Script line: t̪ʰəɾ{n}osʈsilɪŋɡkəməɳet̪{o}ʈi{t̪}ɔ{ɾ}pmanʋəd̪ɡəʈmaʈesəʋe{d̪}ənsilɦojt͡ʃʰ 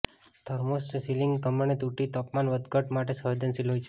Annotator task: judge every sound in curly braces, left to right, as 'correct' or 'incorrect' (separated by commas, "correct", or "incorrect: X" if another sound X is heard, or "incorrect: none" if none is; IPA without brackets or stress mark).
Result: incorrect: m, incorrect: u, correct, incorrect: none, correct